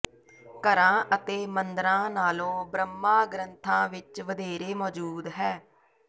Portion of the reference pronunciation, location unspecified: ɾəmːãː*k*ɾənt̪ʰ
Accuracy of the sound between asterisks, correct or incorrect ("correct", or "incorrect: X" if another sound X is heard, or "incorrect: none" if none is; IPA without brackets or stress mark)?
incorrect: ɡ